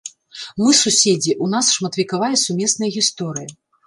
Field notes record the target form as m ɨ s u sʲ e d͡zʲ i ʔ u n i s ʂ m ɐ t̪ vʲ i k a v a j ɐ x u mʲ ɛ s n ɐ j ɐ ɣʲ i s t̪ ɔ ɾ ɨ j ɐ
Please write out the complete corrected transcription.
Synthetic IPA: m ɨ s u sʲ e d͡zʲ i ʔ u n a s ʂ m ɐ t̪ vʲ i k a v a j ɐ s u mʲ ɛ s n ɐ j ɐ ɣʲ i s t̪ ɔ ɾ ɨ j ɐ